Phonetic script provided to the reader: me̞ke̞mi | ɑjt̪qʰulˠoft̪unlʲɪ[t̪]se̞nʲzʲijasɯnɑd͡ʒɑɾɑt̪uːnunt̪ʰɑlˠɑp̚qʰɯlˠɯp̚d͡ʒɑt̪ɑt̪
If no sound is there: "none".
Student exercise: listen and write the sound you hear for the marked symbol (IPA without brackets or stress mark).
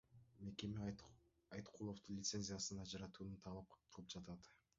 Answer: t̪